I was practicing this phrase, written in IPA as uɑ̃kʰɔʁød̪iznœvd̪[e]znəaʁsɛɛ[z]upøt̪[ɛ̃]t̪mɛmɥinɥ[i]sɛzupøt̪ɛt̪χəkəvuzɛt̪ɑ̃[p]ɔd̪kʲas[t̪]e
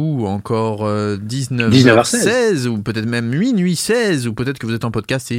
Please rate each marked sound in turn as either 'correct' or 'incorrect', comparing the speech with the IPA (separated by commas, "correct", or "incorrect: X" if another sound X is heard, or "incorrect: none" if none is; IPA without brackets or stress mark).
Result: incorrect: i, correct, incorrect: ɛ, correct, correct, correct